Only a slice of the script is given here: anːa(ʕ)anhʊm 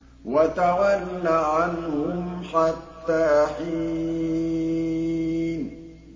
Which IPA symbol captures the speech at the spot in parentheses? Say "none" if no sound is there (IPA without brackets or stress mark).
ʕ